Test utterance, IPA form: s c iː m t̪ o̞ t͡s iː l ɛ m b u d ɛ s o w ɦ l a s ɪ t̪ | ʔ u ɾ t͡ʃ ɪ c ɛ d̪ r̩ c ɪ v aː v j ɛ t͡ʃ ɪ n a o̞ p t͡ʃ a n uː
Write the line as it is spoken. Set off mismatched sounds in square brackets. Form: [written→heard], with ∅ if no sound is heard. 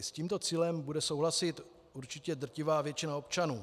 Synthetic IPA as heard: s c iː m t̪ o̞ t͡s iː l ɛ m b u d ɛ s o w ɦ l a s ɪ t̪ | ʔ u ɾ t͡ʃ ɪ c ɛ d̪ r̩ c ɪ v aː v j ɛ t͡ʃ ɪ n a o̞ p t͡ʃ a n uː